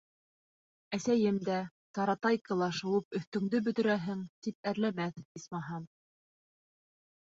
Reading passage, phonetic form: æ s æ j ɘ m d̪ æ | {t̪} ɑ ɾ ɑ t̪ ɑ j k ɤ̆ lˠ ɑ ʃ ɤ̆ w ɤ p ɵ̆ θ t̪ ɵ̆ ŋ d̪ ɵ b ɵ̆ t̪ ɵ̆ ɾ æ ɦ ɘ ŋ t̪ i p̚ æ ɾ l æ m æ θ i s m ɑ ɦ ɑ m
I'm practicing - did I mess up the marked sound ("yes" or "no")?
no